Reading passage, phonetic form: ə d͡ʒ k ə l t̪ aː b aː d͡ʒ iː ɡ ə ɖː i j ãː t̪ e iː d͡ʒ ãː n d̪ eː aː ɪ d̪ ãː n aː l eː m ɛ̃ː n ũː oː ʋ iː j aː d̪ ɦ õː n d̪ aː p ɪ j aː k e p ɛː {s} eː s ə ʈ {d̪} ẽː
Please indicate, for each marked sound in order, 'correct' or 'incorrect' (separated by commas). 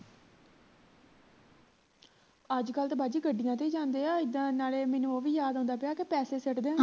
correct, correct